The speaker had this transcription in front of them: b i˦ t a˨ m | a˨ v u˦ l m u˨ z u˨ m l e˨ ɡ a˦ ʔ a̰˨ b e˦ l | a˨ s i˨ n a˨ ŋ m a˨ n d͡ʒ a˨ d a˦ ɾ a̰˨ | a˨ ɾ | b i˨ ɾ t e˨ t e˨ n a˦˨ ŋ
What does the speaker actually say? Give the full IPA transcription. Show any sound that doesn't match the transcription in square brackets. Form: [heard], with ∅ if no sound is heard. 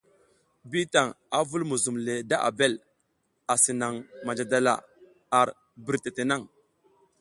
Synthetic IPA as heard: b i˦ t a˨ [ŋ] | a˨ v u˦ l m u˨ z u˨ m l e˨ [d] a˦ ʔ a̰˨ b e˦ l | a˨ s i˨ n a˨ ŋ m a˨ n d͡ʒ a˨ d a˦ [l] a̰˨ | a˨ ɾ | b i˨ ɾ t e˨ t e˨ n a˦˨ ŋ